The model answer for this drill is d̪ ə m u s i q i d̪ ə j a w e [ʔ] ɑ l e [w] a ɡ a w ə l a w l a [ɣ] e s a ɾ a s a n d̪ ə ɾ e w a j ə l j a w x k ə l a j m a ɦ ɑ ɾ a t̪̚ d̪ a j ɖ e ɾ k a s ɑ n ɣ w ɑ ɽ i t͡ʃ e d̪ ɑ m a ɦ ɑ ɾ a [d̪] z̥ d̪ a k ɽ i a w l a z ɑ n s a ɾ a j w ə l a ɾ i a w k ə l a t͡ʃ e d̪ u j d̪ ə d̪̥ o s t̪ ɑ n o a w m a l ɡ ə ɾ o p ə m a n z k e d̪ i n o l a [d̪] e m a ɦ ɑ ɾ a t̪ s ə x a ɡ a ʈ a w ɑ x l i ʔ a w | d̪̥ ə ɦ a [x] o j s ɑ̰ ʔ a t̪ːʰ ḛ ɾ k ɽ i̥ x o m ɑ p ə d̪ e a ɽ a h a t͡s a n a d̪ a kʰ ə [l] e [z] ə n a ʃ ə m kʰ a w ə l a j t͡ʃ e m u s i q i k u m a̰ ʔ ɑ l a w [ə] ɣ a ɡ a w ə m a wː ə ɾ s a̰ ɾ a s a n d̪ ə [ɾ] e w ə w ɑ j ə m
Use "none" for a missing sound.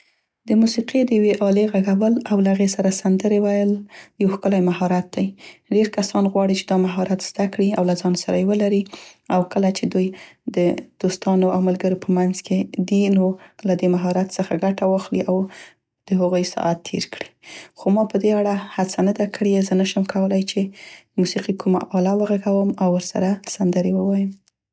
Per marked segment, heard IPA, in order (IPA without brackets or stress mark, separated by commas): ʔ, ɣ, ɣ, t̪, d̪, ɣ, ɽ, z, ə, ɾ